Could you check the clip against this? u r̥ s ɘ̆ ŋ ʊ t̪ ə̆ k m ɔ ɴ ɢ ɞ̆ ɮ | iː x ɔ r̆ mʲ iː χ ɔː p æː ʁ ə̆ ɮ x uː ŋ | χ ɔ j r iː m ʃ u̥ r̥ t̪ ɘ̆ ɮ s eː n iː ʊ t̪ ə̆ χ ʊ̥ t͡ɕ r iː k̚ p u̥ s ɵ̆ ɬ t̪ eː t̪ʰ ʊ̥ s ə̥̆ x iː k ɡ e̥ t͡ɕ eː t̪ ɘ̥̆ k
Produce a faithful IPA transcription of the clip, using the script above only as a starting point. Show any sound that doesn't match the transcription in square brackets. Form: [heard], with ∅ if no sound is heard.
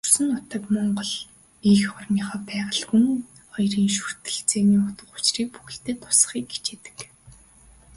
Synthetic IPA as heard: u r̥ s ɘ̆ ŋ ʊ t̪ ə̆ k m ɔ ɴ ɢ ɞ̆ ɮ | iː x ɔ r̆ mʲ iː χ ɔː p æː ʁ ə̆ ɮ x [u] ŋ | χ ɔ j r iː [ŋ] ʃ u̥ r̥ t̪ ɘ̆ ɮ [t͡s] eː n iː ʊ t̪ ə̆ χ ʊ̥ t͡ɕ r iː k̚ p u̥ [x] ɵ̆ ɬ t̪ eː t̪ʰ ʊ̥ s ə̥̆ [χ] iː k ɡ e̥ t͡ɕ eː t̪ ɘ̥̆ k